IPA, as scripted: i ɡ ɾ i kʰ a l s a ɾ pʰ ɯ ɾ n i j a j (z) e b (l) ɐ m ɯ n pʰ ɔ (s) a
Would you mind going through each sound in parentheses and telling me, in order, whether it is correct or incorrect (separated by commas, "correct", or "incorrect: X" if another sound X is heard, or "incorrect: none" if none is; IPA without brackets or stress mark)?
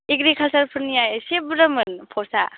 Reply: incorrect: s, incorrect: ɾ, correct